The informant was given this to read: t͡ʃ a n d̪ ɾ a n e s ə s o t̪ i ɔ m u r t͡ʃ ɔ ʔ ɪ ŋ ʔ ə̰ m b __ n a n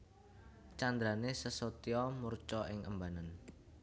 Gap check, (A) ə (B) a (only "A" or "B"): B